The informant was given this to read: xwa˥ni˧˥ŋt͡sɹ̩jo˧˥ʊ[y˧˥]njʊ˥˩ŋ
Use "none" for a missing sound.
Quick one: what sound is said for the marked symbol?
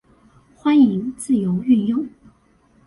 y˥˧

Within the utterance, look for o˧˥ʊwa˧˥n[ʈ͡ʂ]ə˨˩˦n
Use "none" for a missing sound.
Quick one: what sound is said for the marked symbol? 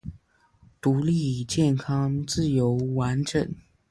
ʈ͡ʂ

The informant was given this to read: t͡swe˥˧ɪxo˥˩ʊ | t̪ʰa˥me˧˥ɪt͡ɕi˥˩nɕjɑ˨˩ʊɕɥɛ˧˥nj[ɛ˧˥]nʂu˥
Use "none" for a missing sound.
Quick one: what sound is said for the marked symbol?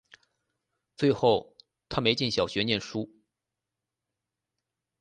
ɛ˥˩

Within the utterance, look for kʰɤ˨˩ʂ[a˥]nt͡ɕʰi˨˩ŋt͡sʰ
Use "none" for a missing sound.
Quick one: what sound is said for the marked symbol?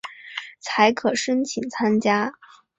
ə˥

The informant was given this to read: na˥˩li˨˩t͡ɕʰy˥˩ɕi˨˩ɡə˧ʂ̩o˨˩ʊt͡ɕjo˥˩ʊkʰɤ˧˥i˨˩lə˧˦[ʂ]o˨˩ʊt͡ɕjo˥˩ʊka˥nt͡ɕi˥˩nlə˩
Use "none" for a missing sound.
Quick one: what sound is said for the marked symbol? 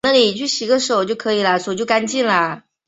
ʂ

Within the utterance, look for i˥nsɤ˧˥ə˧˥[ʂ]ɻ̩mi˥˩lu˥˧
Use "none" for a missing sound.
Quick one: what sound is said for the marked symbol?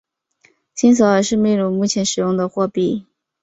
ʂ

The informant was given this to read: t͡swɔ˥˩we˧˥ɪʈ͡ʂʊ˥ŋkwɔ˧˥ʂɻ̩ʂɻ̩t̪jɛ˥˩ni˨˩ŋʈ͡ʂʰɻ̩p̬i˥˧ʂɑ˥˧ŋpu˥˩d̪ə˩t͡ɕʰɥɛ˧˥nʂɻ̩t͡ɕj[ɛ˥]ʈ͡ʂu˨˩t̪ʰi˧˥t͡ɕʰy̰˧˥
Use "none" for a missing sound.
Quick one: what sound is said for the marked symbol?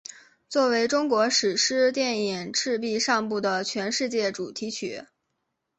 ɛ˥˩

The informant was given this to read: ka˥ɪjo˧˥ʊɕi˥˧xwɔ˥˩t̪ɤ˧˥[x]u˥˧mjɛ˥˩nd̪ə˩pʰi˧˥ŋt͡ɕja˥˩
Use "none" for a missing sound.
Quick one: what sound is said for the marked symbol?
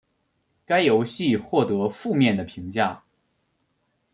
f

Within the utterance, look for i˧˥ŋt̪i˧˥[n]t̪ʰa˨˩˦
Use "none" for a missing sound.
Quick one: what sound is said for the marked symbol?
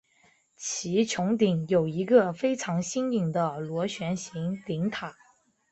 ŋ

